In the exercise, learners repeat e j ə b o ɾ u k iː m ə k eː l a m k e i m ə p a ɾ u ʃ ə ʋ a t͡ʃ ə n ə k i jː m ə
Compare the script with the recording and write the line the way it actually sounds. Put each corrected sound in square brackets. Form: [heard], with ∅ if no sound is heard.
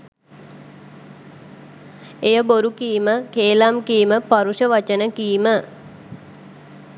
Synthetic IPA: e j ə b o ɾ u k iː m ə k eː l a m k [i] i m ə p a ɾ u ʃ ə ʋ a t͡ʃ ə n ə k i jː m ə